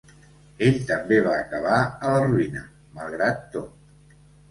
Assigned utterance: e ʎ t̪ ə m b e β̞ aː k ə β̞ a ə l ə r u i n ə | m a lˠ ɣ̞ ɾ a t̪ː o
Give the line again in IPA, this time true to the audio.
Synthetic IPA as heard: e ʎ t̪ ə m b e β̞ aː k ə β̞ a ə l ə r u i n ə | m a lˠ ɣ̞ ɾ a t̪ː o

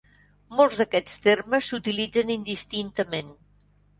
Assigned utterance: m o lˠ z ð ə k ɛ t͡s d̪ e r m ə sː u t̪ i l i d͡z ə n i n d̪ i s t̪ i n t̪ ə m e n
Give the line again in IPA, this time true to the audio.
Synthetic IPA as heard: m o lˠ z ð ə k ɛ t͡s t̪ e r m ə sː u t̪ i l i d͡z ə n i n d̪ i s t̪ i n t̪ ə m e n

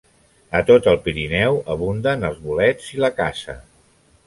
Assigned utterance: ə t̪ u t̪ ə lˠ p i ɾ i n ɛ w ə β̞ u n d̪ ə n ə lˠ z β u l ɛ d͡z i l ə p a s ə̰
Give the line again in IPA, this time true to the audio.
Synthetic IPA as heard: ə t̪ o t̪ ə lˠ p i ɾ i n ɛ w ə β̞ u n d̪ ə n ə lˠ z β u l ɛ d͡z i l ə k a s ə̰

